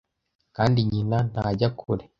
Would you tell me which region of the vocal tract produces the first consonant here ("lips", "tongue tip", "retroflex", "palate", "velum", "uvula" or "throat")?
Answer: velum